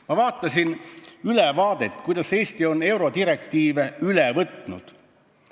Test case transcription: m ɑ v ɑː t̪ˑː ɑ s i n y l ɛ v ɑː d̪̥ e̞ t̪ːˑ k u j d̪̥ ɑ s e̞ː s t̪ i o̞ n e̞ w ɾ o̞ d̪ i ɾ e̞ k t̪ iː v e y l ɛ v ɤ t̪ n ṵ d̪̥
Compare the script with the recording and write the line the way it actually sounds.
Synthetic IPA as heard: m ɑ v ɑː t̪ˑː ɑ s i n y l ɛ v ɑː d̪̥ e̞ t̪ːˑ k u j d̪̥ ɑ s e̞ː s t̪ i o̞ n e̞ w ɾ o̞ d̪ i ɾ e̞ k t̪ iː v e y l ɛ v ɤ t̪ n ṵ d̪̥